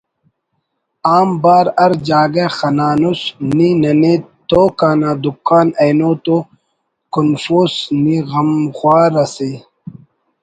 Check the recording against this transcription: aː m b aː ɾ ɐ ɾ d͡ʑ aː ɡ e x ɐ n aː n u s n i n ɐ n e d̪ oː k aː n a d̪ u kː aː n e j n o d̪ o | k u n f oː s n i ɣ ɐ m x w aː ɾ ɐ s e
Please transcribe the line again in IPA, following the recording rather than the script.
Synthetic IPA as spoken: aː m b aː ɾ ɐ ɾ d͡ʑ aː ɡ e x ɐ n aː n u s n i n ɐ n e t̪ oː k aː n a d̪ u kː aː n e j n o t̪ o | k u n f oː s n i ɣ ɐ m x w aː ɾ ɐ s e